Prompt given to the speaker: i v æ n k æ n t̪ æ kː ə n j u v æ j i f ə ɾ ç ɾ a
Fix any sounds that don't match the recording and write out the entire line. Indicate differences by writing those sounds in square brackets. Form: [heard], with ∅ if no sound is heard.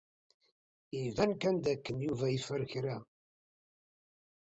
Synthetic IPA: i v æ n k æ n [d̪] æ kː ə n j u v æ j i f ə ɾ ç ɾ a

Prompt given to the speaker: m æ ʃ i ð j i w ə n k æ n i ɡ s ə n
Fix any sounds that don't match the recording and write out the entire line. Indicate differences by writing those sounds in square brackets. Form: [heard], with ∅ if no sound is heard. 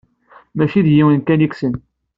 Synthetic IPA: m æ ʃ i ð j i w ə n k æ n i [k] s ə n

